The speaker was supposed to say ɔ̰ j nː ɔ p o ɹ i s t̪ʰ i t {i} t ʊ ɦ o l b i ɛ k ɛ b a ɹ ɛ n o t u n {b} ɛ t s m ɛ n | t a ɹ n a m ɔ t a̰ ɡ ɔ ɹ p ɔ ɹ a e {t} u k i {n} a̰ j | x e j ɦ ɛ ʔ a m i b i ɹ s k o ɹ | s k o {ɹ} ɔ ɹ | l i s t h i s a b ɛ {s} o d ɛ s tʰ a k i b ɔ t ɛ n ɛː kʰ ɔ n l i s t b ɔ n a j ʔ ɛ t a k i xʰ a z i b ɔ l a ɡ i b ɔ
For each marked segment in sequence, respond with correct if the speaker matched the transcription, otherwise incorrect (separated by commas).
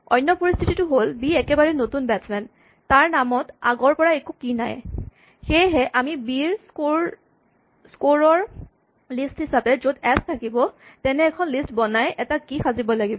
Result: correct, correct, incorrect, correct, correct, incorrect